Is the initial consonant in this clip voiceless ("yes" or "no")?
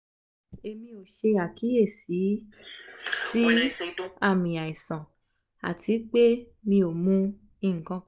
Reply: no